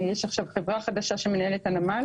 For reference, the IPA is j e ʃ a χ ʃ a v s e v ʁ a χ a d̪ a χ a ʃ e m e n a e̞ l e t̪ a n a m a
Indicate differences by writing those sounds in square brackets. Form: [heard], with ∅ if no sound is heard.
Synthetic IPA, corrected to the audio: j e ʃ a χ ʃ a v [χ] e v ʁ a χ a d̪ a [ʃ] a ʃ e m e n a e̞ l e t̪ a n a m a